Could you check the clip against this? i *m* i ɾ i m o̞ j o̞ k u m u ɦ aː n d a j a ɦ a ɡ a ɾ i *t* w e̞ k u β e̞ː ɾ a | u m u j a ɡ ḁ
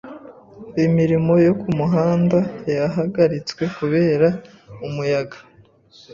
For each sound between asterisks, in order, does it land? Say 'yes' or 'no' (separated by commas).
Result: yes, no